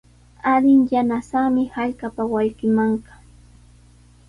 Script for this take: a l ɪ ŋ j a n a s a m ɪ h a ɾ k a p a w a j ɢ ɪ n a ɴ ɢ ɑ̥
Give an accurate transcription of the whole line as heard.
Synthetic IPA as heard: a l ɪ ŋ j a n a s a m ɪ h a ʎ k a p a w a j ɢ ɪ m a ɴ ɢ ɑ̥